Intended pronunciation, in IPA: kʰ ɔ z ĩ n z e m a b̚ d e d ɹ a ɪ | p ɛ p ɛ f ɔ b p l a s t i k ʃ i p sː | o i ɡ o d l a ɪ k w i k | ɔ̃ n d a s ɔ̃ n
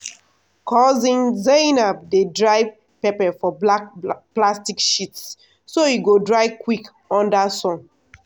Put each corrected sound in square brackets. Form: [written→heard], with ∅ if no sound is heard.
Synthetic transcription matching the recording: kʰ ɔ z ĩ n z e [m→n] a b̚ d e d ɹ a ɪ | p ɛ p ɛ f ɔ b p l a s t i k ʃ i [p→t] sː | o i ɡ o d [l→ɹ] a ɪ k w i k | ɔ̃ n d a s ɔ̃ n